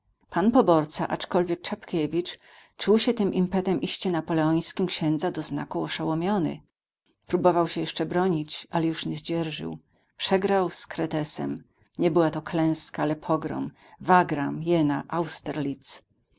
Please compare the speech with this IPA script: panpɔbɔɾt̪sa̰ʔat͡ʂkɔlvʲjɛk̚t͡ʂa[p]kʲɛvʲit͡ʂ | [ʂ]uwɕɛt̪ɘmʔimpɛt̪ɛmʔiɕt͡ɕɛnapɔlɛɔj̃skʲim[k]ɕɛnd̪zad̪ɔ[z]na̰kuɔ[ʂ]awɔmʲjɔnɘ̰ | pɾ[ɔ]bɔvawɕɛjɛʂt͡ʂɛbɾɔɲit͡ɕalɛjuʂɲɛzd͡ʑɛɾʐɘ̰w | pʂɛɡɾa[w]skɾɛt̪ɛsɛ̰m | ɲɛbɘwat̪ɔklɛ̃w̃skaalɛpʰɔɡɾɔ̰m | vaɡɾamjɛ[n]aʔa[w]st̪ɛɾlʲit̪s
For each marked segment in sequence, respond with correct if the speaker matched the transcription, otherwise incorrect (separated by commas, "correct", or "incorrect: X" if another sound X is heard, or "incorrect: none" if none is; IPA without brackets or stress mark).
correct, incorrect: t͡ʂ, correct, correct, correct, incorrect: u, correct, correct, correct